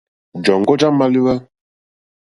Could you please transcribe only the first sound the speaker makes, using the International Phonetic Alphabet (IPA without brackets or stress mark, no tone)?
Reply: d͡ʒ